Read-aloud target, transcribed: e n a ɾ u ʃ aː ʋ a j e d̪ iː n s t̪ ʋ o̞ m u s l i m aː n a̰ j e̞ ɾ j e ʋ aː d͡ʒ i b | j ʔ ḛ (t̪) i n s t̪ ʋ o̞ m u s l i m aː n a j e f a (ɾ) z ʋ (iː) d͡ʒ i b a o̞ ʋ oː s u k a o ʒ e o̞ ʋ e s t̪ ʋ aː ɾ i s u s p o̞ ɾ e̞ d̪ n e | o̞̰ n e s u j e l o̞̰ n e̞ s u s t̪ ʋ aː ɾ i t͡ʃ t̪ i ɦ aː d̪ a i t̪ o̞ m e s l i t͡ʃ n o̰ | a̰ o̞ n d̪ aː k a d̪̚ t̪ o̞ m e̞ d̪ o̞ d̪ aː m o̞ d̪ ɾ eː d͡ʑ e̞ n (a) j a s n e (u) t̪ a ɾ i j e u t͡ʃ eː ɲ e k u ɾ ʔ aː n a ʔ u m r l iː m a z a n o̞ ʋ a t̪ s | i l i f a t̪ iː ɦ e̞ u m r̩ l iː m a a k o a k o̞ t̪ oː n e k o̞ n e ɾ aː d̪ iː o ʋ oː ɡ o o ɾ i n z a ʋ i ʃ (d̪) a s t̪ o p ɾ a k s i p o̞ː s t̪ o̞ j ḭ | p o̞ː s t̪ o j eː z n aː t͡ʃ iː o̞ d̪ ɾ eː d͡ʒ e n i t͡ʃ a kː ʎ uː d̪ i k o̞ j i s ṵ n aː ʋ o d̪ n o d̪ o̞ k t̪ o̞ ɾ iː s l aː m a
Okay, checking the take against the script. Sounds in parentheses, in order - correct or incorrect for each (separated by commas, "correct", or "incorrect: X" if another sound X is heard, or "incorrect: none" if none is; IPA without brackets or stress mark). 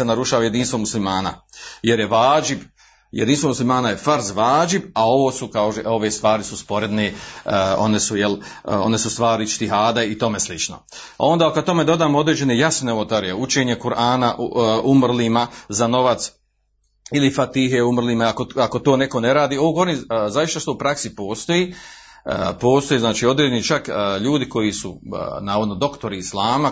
incorrect: d̪, correct, incorrect: aː, incorrect: e, incorrect: o, incorrect: t̪